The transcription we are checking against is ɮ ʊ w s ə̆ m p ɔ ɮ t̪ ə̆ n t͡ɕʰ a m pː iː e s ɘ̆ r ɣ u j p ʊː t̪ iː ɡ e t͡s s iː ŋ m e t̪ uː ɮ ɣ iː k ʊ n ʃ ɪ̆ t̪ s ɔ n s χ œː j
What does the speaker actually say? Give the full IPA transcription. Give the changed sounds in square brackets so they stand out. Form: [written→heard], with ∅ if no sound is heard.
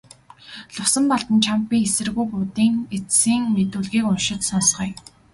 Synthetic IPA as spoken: ɮ ʊ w s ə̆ m p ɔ ɮ t̪ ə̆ n t͡ɕʰ a m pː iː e s ɘ̆ r ɣ u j p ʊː t̪ iː [ɡ→ŋ] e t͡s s iː ŋ m e t̪ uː ɮ ɣ iː k ʊ n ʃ ɪ̆ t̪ s ɔ n s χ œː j